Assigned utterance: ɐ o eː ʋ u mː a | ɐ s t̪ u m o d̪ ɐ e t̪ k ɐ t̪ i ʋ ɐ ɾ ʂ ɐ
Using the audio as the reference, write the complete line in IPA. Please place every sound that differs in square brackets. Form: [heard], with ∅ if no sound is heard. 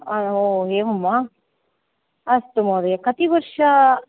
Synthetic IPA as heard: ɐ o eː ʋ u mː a | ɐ s t̪ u m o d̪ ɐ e [∅] k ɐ t̪ i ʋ ɐ ɾ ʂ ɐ